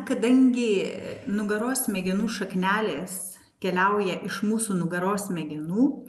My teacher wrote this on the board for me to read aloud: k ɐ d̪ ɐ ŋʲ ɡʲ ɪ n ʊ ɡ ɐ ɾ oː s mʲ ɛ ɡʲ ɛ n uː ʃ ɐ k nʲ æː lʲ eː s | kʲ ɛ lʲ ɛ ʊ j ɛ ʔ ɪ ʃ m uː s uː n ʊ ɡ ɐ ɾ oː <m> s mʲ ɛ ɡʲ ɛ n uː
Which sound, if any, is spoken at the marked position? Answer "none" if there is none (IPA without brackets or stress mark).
none